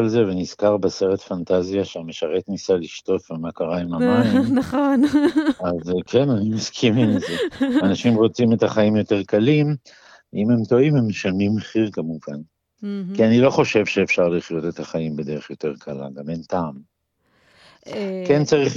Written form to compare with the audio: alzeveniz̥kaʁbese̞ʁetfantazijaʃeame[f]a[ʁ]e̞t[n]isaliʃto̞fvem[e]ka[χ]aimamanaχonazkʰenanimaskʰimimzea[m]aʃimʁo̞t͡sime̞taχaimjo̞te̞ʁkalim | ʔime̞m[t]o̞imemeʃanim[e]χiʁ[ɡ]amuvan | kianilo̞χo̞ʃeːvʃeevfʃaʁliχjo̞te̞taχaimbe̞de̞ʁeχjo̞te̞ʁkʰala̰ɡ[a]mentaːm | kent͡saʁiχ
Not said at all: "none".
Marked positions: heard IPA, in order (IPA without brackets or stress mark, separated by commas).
ʃ, ʁ, n, a, ʁ, n, t, e, k, a